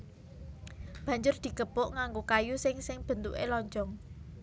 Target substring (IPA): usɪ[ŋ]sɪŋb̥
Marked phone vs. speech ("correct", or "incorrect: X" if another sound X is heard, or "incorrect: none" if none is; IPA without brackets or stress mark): correct